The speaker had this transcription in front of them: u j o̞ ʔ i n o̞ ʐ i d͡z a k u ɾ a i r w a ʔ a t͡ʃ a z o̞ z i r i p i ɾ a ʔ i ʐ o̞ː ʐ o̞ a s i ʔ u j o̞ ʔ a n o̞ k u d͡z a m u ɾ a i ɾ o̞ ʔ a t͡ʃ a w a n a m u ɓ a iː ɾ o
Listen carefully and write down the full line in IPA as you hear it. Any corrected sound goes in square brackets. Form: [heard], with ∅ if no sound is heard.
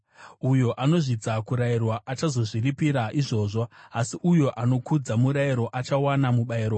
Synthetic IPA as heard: u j o̞ ʔ [a] n o̞ ʐ i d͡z a k u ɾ a i r w a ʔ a t͡ʃ a z o̞ [ʐ] i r i p i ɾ a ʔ i ʐ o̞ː ʐ o̞ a s i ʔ u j o̞ ʔ a n o̞ k u d͡z a m u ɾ a i ɾ o̞ ʔ a t͡ʃ a w a n a m u ɓ a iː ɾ o

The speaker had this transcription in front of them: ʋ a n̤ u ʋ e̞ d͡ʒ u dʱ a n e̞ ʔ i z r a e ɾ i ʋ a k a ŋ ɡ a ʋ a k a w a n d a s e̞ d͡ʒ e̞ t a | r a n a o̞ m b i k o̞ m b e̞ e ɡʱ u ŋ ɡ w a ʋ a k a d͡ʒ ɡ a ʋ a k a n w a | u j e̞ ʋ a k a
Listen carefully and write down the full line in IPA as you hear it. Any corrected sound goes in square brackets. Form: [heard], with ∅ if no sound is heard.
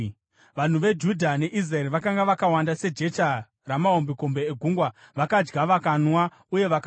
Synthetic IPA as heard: ʋ a n̤ u ʋ e̞ d͡ʒ u dʱ a n e̞ ʔ i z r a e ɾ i ʋ a k a ŋ ɡ a ʋ a k a w a n d a s e̞ d͡ʒ e̞ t a | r a [m] a o̞ m b i k o̞ m b e̞ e ɡʱ u ŋ ɡ w a ʋ a k a d͡ʒ ɡ a ʋ a k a n w a | u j e̞ ʋ a k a

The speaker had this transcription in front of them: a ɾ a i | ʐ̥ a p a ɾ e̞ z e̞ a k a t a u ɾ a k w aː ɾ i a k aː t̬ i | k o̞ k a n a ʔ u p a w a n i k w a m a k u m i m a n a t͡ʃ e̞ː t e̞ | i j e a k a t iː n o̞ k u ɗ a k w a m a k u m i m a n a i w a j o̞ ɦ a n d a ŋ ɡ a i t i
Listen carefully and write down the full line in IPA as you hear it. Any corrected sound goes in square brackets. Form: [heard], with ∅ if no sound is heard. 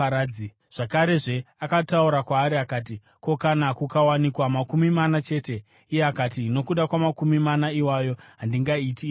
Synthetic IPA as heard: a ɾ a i | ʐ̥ a [k] a ɾ e̞ [ʐ] e̞ a k a t a u ɾ a k w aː ɾ i a k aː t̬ i | k o̞ k a n a [k] u [k] a w a n i k w a m a k u m i m a n a t͡ʃ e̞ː t e̞ | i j e a k a t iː n o̞ k u ɗ a k w a m a k u m i m a n a i w a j o̞ ɦ a n d [i] ŋ ɡ a i t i

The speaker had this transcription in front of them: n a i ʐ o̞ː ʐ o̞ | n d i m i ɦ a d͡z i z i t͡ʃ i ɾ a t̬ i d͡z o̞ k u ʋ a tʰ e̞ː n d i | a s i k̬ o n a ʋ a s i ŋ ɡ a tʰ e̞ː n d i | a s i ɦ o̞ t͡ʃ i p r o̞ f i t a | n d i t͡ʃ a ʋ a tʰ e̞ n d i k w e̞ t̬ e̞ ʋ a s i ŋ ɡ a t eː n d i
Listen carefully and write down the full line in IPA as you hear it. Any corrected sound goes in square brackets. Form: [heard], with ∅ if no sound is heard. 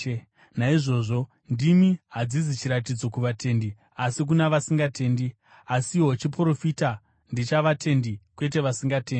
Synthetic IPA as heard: n a i ʐ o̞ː ʐ o̞ | n d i m i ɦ a d͡z i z i t͡ʃ i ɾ a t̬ i d͡z o̞ k u ʋ a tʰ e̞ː n d i | a s i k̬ [u] n a ʋ a s i ŋ ɡ a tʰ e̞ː n d i | a s i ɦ o̞ t͡ʃ i p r o̞ f i t a | n d i t͡ʃ a ʋ a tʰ e̞ n d i k w e̞ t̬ e̞ ʋ a s i ŋ ɡ a t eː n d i

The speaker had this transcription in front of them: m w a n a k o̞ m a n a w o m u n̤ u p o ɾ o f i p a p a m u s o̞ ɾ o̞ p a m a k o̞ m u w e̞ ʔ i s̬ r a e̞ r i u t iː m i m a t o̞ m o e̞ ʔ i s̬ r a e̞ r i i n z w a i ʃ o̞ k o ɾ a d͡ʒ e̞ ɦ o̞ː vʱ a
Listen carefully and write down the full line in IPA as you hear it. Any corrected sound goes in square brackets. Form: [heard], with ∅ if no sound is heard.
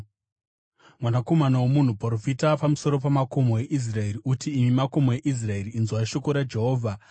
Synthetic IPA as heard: m w a n a k o̞ m a n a w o m u n̤ u p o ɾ o f i [t] a p a m u s o̞ ɾ o̞ p a m a k o̞ m [o] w e̞ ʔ i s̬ r a e̞ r i u t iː m i m a [k] o̞ m o e̞ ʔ i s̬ r a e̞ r i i n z w a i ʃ o̞ k o ɾ a d͡ʒ e̞ ɦ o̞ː vʱ a

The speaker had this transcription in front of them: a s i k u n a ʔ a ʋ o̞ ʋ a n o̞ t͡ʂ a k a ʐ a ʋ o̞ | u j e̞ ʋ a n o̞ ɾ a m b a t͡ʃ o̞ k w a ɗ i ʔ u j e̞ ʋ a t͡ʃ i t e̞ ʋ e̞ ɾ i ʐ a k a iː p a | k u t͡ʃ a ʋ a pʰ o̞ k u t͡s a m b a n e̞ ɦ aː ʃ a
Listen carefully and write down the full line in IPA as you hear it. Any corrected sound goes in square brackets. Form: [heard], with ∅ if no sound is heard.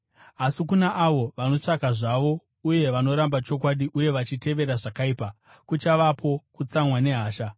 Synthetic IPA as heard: a s i k u n a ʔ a ʋ o̞ ʋ a n o̞ t͡ʂ a k a ʐ a ʋ o̞ | u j e̞ ʋ a n o̞ ɾ a m b a t͡ʃ o̞ k w a ɗ i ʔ u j e̞ ʋ a t͡ʃ i t e̞ ʋ e̞ ɾ [a] ʐ a k a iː p a | k u t͡ʃ a ʋ a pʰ o̞ k u t͡s a m [w] a n e̞ ɦ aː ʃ a

